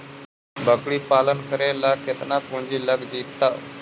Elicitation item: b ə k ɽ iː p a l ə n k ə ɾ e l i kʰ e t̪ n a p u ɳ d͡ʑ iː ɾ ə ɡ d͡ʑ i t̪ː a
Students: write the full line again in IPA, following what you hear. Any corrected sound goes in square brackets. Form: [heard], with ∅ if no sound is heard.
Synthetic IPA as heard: b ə k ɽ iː p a l ə n k ə ɾ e l [a] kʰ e t̪ n a p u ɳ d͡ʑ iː [l] ə ɡ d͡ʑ i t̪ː a

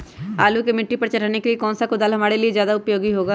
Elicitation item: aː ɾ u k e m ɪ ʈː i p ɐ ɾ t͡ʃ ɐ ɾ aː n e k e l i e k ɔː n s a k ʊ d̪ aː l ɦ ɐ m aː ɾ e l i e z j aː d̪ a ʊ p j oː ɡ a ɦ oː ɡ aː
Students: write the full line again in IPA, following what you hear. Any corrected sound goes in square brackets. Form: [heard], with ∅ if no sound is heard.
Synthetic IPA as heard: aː [l] u k e m ɪ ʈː i p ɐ ɾ t͡ʃ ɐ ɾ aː n e k e l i e k ɔː n s a k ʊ d̪ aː l ɦ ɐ m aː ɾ e l i e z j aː d̪ a ʊ p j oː ɡ [i] ɦ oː ɡ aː

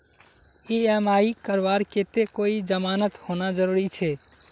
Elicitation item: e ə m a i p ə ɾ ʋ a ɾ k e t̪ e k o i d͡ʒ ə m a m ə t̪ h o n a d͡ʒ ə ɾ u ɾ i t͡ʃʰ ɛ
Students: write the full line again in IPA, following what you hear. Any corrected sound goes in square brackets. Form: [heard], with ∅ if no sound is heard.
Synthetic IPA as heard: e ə m a i [k] ə ɾ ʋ a ɾ k e t̪ e k o i d͡ʒ ə m a [n] ə t̪ h o n a d͡ʒ ə ɾ u ɾ i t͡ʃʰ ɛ

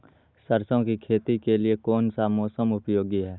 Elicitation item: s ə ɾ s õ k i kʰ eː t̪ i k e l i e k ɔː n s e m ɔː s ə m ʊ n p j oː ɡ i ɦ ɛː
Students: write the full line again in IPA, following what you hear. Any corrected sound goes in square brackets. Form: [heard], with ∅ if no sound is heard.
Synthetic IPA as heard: s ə ɾ s õ k i kʰ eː t̪ i k e l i e k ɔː n s [a] m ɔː s ə m ʊ [∅] p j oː ɡ i ɦ ɛː

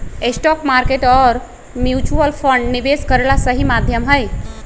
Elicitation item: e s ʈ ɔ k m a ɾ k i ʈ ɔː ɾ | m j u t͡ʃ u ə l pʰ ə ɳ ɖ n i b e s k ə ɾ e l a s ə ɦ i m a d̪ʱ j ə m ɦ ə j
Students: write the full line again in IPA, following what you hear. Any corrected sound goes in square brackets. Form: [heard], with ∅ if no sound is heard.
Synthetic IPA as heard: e s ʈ ɔ k m a ɾ k [e] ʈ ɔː ɾ | m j u t͡ʃ u ə l pʰ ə ɳ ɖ n i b e s k ə ɾ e l a s ə ɦ i m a d̪ʱ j ə m ɦ ə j

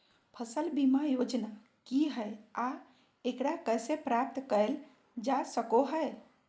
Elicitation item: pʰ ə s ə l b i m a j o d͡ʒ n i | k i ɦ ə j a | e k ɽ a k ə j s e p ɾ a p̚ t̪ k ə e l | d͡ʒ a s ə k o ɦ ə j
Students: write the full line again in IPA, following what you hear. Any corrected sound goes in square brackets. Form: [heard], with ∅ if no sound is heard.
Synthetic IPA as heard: pʰ ə s ə l b i m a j o d͡ʒ n [a] | k i ɦ ə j a | e k ɽ a k ə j s e p ɾ a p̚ t̪ k ə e l | d͡ʒ a s ə k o ɦ ə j

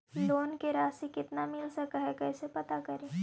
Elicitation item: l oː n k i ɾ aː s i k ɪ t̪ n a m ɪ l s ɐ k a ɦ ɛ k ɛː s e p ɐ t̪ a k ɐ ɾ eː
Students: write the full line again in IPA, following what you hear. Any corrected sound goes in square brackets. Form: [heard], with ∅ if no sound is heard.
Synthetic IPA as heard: l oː n k [e] ɾ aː s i k ɪ t̪ n a m ɪ l s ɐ k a ɦ ɛ k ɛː s e p ɐ t̪ a k ɐ ɾ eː

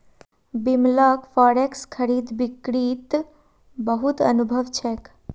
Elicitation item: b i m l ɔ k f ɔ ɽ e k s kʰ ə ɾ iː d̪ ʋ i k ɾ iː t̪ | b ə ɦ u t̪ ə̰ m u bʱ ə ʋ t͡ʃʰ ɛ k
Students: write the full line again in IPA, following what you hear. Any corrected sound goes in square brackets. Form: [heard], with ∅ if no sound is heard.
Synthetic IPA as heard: b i m l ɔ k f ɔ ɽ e k s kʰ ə ɾ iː d̪ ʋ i k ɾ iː t̪ | b ə ɦ u t̪ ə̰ [n] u bʱ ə ʋ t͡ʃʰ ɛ k

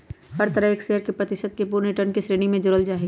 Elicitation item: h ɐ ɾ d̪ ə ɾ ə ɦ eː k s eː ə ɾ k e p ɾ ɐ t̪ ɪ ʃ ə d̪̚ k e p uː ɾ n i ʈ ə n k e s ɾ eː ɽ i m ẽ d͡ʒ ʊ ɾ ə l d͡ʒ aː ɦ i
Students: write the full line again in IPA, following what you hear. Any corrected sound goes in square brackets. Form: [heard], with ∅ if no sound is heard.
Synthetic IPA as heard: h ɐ ɾ [t̪] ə ɾ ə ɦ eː k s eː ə ɾ k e p ɾ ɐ t̪ ɪ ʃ ə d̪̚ k e p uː ɾ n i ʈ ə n k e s ɾ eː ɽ i m ẽ d͡ʒ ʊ ɾ ə l d͡ʒ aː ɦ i

